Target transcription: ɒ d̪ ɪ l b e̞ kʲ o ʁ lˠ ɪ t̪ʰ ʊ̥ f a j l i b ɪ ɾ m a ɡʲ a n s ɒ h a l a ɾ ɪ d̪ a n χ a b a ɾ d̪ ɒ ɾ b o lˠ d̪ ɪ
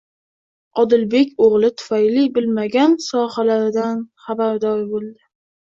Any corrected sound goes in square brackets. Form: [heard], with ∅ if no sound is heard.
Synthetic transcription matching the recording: ɒ d̪ ɪ l b e̞ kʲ o ʁ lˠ ɪ t̪ʰ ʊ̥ f a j l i b ɪ [l] m a ɡʲ a n s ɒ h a l a ɾ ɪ d̪ a n χ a b a ɾ d̪ ɒ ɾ b o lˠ d̪ ɪ